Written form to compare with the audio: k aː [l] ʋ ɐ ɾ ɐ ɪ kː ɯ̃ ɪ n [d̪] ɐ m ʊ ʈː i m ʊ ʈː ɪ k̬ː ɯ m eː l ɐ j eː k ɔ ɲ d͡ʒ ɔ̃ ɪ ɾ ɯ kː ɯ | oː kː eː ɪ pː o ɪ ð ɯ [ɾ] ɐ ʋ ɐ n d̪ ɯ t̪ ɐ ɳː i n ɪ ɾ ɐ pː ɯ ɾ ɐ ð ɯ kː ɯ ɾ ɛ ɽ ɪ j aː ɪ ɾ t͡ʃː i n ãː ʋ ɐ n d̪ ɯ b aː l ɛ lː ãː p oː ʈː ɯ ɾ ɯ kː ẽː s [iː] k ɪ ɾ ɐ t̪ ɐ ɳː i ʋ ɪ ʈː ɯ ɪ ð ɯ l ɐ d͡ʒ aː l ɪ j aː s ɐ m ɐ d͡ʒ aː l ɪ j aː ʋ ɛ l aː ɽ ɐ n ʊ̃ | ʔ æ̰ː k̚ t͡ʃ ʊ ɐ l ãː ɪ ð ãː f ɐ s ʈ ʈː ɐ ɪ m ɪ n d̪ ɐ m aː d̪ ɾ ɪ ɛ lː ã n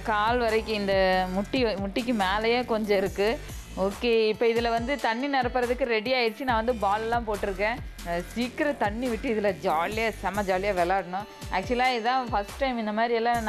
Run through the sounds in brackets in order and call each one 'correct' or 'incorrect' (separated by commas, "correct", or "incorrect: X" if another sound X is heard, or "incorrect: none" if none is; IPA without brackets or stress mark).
correct, correct, incorrect: l, correct